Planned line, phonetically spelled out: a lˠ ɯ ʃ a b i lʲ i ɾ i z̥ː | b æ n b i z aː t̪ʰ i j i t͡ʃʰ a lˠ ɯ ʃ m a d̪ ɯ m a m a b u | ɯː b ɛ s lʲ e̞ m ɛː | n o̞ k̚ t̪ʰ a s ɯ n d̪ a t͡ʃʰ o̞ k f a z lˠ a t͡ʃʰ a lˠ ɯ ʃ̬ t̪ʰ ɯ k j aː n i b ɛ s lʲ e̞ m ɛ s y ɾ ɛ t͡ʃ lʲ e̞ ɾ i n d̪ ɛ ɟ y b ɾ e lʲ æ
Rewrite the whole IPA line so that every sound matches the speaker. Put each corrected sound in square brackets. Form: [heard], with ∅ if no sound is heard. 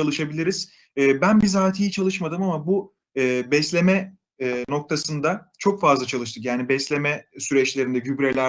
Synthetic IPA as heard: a lˠ ɯ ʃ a b i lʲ i ɾ i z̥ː | b æ n b i z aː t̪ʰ i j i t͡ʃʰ a lˠ ɯ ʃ m a d̪ ɯ m a m a b u | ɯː b ɛ s lʲ e̞ m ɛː | n o̞ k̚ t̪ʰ a s ɯ n d̪ a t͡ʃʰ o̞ k f a z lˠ a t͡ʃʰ a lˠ ɯ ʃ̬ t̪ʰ ɯ k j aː n i b ɛ s lʲ e̞ m ɛ s y ɾ ɛ t͡ʃ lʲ e̞ ɾ i n d̪ ɛ ɟ y b ɾ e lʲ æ